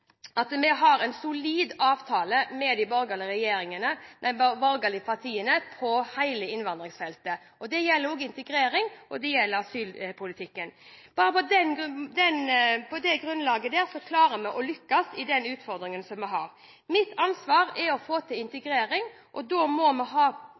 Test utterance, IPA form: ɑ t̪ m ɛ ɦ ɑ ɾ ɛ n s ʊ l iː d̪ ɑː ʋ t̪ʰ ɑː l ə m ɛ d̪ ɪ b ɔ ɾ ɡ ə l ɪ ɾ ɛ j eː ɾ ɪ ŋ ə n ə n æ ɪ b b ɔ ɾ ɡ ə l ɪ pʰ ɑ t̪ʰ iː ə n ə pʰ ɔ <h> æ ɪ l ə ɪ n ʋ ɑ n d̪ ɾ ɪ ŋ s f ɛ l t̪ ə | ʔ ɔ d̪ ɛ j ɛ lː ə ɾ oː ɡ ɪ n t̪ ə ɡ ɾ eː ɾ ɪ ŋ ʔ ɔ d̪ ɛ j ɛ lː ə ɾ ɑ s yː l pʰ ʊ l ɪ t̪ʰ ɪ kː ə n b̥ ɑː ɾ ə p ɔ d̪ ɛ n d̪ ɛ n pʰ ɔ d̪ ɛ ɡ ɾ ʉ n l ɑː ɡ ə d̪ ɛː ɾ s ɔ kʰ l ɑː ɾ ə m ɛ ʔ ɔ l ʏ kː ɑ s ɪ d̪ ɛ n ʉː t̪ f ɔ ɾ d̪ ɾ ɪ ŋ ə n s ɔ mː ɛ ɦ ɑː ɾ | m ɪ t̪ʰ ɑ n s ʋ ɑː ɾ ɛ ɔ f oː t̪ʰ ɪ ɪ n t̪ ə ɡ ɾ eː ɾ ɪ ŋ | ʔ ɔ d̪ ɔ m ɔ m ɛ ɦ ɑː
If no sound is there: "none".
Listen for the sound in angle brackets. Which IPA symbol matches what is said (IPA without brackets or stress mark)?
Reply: h